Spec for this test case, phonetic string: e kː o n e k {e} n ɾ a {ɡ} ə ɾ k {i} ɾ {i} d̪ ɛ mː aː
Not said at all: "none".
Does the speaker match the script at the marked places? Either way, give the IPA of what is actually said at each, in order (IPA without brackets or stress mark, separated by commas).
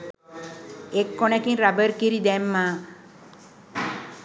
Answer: i, b, i, i